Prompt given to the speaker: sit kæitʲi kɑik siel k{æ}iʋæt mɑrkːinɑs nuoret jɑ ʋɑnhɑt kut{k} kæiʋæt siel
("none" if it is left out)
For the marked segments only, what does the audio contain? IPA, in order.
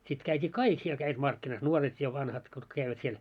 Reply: æ, k

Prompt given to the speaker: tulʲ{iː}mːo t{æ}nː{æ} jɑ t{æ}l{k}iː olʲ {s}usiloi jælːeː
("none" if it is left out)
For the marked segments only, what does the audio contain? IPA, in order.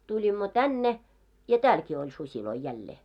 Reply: i, æ, e, æː, k, s

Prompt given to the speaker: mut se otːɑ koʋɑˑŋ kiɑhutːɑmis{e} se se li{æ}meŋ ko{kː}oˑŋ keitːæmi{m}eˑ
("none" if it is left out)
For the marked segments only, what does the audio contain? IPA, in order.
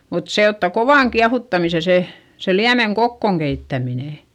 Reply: e, æ, kː, n

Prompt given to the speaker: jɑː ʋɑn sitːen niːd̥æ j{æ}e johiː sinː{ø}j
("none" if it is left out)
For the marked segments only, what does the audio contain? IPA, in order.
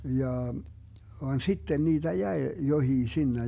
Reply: æ, e

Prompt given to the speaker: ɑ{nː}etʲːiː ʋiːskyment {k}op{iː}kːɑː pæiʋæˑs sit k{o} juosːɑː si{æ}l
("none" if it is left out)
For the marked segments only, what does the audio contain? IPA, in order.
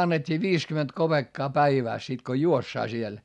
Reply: nː, k, eː, o, e

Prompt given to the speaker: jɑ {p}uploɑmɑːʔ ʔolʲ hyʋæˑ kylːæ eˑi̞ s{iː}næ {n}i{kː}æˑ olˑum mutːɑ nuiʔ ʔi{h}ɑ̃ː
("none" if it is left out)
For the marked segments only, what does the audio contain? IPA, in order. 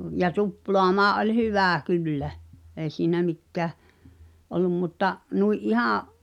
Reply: t, iː, m, kː, h

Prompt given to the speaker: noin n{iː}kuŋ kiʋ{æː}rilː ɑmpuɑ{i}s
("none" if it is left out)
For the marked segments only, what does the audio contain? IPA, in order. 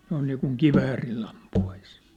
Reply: iː, æː, i

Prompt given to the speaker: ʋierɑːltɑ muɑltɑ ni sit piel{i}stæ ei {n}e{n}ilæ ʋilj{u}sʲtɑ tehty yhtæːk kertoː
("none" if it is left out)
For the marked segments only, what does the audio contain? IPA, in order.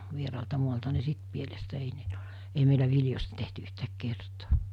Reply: e, m, none, o

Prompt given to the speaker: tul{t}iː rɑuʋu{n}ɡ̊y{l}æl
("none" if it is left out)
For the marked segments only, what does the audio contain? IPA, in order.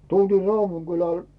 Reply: t, ŋ, l

